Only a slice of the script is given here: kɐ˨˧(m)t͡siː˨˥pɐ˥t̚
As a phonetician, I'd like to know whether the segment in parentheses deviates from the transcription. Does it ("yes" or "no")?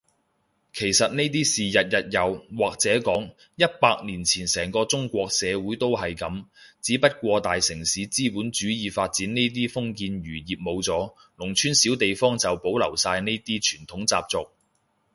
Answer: no